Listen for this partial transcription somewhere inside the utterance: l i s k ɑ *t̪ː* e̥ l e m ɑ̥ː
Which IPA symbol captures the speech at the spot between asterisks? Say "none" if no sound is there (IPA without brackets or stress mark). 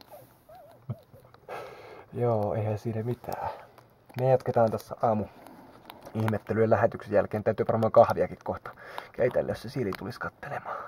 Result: t̪ː